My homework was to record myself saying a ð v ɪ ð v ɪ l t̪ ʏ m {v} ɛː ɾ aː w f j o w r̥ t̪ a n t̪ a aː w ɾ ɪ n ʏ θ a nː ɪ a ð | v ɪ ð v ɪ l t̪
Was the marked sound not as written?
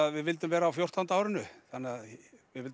no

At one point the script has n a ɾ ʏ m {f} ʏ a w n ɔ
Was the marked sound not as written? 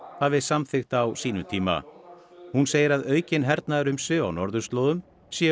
yes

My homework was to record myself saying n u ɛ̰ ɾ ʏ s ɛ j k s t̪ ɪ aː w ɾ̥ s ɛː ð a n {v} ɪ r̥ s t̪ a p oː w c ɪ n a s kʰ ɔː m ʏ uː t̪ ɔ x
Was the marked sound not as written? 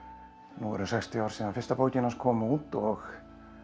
yes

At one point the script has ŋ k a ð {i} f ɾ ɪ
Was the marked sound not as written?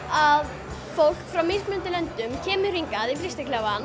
no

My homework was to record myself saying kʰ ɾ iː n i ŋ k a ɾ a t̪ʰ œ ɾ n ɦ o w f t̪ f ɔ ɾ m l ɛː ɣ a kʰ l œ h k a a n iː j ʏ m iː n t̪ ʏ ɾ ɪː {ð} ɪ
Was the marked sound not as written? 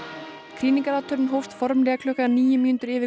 yes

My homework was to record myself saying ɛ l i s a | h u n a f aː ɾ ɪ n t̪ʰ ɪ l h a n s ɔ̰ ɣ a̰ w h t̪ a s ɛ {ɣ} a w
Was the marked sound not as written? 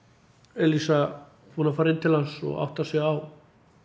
no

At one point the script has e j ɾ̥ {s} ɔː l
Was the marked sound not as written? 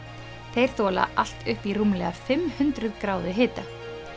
yes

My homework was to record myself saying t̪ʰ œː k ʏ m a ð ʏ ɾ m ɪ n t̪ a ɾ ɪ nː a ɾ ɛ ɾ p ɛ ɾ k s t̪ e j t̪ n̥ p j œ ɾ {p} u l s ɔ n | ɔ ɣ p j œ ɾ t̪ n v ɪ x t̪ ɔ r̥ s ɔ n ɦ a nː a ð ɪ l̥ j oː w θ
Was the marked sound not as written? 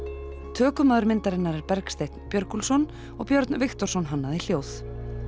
yes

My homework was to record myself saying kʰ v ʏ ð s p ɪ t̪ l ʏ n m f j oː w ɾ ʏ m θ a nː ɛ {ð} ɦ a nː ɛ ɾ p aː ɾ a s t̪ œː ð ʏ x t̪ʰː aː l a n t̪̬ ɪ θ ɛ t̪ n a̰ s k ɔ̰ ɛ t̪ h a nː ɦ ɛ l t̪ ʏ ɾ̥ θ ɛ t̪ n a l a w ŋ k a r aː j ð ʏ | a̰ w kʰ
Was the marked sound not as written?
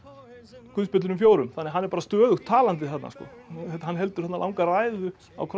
yes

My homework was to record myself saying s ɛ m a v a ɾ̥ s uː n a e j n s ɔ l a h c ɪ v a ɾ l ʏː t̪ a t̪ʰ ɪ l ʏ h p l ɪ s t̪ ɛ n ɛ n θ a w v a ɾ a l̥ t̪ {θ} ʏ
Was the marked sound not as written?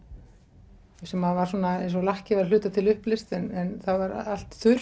no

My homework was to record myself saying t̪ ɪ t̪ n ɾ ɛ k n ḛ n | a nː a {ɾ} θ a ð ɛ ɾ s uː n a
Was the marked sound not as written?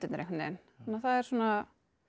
yes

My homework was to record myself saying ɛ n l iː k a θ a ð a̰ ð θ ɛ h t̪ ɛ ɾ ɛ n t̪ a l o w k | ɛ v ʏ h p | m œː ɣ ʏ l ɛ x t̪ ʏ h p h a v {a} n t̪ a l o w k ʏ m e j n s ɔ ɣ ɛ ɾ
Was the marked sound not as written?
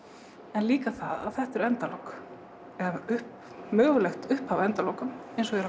yes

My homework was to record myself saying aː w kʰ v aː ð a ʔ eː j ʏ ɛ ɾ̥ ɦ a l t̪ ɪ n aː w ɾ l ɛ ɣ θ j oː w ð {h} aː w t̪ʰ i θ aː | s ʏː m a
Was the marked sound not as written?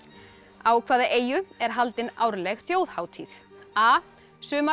no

